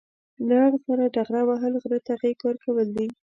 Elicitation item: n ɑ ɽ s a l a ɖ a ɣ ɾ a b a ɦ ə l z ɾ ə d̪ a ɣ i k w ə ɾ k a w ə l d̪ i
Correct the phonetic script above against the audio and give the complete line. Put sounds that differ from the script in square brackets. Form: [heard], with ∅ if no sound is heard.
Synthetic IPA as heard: n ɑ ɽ s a [ɾ] a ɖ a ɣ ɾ a [w] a ɦ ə l [ɣ] ɾ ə [t̪] a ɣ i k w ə ɾ k a w ə l d̪ i